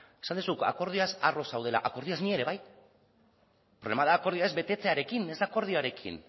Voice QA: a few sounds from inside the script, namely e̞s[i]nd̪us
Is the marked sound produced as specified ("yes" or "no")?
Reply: no